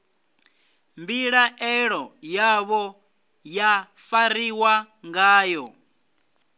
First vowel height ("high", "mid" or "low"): high